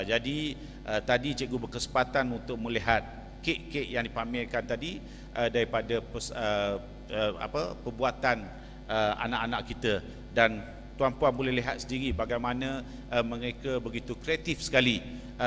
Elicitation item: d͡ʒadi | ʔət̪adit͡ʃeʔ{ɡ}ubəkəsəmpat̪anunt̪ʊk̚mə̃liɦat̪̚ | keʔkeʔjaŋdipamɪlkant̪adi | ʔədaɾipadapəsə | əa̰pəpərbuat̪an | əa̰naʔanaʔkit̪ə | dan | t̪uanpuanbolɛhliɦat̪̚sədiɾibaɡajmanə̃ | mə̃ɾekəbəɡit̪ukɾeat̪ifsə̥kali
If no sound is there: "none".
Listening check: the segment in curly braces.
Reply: ɡ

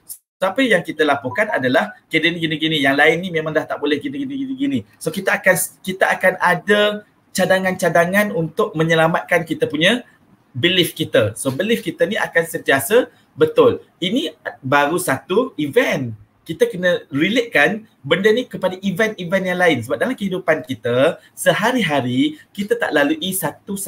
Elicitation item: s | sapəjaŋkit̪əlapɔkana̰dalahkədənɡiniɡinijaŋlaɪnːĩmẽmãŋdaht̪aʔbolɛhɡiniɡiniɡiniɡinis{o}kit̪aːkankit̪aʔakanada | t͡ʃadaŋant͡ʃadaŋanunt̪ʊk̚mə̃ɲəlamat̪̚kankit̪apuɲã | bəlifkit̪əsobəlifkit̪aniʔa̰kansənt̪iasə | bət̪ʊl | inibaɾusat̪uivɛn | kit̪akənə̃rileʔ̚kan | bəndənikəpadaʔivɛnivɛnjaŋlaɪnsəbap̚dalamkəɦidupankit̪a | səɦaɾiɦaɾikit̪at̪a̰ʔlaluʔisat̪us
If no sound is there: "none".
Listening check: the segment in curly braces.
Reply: o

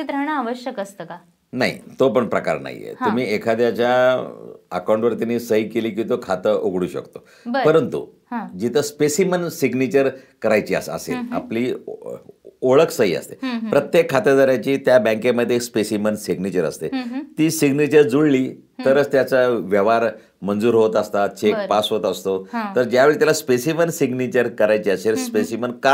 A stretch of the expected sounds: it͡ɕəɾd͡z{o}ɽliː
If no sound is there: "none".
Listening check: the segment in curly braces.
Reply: u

